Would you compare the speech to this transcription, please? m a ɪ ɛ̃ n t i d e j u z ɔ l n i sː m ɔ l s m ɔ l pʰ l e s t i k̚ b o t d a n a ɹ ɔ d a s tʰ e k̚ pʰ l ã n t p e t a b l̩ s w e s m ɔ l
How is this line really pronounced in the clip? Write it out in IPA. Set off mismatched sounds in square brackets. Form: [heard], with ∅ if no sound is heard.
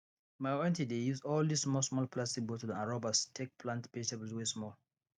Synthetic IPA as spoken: m a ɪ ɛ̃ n t i d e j u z ɔ l [d] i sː m ɔ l s m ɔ l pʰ l [a] s t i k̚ b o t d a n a ɹ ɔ [b] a s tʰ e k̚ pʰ l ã n t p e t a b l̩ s w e s m ɔ l